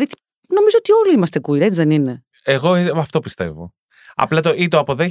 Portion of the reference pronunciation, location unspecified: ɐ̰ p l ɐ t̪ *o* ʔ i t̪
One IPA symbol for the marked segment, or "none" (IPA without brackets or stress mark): o